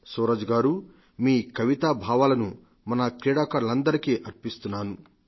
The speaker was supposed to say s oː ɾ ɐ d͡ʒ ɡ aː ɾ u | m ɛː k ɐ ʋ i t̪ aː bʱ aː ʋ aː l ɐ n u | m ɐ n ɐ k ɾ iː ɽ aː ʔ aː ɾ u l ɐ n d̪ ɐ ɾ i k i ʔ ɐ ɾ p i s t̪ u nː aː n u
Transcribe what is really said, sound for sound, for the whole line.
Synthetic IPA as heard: s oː ɾ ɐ d͡ʒ ɡ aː ɾ u | m iː k ɐ ʋ i t̪ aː bʱ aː ʋ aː l ɐ n u | m ɐ n ɐ k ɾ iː ɽ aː k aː ɾ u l ɐ n d̪ ɐ ɾ i k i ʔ ɐ ɾ p i s t̪ u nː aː n u